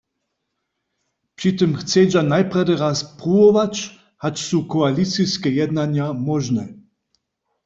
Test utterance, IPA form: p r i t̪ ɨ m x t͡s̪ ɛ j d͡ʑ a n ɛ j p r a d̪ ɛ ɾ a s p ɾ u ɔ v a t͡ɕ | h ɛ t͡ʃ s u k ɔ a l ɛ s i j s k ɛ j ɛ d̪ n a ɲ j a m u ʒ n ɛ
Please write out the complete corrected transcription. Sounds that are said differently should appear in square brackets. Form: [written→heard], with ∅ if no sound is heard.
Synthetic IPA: p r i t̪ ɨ m x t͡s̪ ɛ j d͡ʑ a n [ɛ→a] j p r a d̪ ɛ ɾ a s p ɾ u ɔ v a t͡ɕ | h [ɛ→a] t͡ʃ s u k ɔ a l [ɛ→i] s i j s k ɛ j ɛ d̪ n a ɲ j a m [u→ɔ] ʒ n ɛ